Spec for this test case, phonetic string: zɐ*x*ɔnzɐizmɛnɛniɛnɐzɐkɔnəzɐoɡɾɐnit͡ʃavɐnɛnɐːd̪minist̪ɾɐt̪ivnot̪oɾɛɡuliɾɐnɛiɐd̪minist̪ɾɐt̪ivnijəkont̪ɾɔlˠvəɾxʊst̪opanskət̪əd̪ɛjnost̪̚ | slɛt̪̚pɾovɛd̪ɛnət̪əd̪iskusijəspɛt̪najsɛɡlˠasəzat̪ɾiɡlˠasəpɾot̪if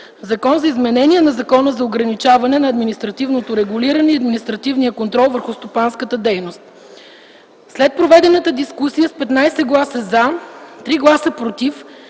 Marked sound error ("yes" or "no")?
yes